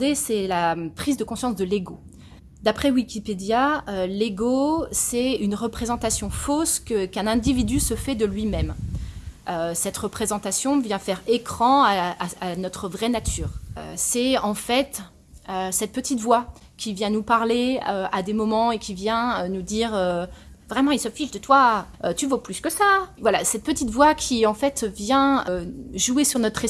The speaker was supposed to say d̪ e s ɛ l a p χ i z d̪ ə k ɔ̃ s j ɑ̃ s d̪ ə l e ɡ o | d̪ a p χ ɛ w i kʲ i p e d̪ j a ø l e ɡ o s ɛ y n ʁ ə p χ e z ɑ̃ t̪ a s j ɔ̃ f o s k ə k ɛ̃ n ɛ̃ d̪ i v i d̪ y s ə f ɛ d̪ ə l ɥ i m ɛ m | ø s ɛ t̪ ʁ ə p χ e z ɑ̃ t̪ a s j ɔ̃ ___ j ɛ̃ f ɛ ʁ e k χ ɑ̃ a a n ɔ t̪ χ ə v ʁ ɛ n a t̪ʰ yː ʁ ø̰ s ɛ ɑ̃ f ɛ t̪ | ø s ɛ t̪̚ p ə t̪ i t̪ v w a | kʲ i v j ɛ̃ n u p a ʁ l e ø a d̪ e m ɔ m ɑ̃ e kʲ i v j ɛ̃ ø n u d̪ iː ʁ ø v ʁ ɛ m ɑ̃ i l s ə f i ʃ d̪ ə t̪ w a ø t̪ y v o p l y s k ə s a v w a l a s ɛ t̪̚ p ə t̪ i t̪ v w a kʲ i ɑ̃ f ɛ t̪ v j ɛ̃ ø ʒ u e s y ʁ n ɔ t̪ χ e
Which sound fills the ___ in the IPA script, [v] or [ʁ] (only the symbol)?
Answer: v